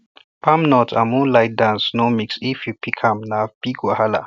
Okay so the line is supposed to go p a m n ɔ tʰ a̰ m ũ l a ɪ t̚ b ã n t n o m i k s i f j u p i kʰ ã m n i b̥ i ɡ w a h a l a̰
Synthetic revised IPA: p a m n ɔ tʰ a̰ m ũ l a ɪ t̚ d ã n s n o m i k s i f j u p i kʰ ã m n a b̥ i ɡ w a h a l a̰